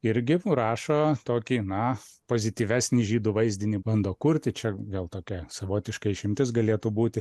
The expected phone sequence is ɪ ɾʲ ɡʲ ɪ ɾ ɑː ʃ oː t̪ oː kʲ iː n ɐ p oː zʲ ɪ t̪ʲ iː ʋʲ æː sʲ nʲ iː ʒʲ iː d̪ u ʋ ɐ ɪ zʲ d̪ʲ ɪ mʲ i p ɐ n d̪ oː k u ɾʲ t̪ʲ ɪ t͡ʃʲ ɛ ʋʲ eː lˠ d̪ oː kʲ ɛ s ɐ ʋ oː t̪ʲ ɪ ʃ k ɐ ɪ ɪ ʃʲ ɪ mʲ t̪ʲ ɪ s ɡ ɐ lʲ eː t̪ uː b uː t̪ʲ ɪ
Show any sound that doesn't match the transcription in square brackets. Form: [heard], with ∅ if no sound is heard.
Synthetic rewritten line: ɪ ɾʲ ɡʲ ɪ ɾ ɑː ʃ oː t̪ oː kʲ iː n ɐ p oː zʲ ɪ t̪ʲ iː ʋʲ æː sʲ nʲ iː ʒʲ iː d̪ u ʋ ɐ ɪ zʲ d̪ʲ ɪ [nʲ] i [b] ɐ n d̪ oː k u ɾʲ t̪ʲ ɪ t͡ʃʲ ɛ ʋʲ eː lˠ [t̪] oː kʲ ɛ s ɐ ʋ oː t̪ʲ ɪ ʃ k ɐ ɪ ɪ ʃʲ ɪ mʲ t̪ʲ ɪ s ɡ ɐ lʲ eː t̪ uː b uː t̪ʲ ɪ